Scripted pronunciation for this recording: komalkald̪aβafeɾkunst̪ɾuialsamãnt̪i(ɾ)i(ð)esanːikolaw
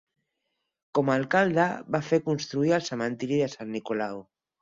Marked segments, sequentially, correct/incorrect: correct, correct

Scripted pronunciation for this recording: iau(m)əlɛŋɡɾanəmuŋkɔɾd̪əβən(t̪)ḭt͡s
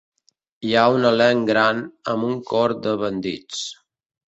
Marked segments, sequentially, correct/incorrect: incorrect: n, incorrect: d̪

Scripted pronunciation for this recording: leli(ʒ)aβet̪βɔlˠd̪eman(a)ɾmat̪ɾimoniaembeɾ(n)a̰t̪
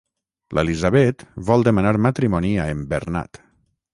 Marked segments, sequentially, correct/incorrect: incorrect: z, correct, correct

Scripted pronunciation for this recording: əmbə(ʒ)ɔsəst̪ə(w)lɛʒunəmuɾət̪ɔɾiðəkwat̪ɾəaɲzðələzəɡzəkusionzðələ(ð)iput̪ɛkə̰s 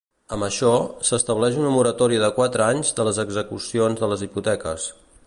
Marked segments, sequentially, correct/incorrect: incorrect: ʃ, incorrect: β, incorrect: z

